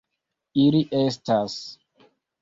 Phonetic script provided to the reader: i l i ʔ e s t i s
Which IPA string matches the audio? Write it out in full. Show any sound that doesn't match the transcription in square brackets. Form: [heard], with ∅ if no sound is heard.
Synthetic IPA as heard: i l i ʔ e s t [a] s